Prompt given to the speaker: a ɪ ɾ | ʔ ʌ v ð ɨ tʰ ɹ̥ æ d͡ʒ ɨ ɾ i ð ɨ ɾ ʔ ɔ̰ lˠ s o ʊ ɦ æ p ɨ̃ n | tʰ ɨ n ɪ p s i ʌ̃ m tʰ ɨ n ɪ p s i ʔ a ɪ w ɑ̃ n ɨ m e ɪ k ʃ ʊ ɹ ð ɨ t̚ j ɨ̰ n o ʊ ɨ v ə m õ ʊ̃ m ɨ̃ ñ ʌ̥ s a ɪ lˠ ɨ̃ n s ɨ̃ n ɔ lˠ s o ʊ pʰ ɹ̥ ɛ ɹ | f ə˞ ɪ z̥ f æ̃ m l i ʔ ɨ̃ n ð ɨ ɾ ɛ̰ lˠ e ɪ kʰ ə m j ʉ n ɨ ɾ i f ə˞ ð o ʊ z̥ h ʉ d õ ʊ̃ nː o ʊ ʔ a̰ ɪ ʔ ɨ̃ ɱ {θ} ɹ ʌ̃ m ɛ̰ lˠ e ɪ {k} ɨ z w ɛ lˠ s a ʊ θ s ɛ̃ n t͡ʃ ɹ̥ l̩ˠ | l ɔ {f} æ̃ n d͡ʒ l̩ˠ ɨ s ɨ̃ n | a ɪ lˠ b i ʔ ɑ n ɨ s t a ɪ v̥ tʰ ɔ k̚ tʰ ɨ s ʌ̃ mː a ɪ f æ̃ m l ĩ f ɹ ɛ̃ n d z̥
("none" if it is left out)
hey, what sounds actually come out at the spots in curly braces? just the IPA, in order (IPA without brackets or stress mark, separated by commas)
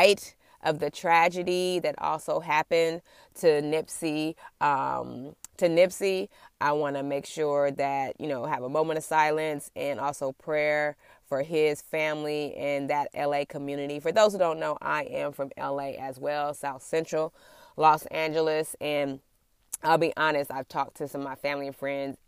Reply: f, ʔ, s